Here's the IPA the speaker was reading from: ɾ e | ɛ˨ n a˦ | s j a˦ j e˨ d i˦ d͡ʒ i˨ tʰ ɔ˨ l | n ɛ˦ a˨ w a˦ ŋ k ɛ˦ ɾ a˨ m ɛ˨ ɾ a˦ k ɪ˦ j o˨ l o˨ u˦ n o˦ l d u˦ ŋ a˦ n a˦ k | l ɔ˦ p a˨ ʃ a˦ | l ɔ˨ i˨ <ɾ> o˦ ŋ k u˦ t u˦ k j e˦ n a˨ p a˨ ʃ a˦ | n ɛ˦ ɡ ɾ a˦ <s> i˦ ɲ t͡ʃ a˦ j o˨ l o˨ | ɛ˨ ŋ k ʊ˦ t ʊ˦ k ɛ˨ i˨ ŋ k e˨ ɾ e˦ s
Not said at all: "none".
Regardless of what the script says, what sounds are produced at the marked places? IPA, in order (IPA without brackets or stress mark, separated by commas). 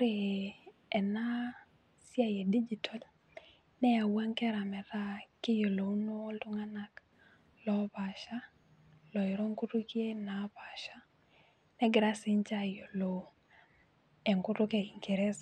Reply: ɾ, s